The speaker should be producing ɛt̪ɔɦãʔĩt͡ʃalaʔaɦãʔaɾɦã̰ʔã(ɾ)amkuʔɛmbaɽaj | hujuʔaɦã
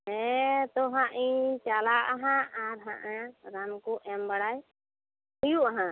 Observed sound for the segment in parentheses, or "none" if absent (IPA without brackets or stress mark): ɾ